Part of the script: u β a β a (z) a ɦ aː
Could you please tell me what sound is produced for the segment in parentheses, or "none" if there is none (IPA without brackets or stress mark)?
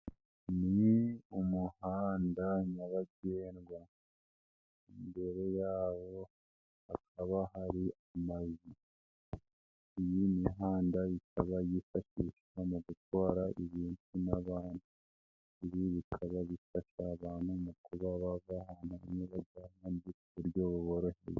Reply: v